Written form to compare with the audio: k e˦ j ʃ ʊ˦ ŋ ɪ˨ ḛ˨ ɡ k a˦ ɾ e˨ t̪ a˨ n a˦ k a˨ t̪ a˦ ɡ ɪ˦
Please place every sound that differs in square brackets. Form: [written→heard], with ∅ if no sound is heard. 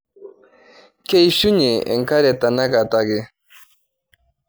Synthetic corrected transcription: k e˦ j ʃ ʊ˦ [ŋ→ɲ] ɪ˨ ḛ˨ [ɡ→ŋ] k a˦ ɾ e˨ t̪ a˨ n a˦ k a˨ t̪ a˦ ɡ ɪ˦